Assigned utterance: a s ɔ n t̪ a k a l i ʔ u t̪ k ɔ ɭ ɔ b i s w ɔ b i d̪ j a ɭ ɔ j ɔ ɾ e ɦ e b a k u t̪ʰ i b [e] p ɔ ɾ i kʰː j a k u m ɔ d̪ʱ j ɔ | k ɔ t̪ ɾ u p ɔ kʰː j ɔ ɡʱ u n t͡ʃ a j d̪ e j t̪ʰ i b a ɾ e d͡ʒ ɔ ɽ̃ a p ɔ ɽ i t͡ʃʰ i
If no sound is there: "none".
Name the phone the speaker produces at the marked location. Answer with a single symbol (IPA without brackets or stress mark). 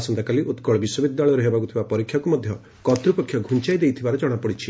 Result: a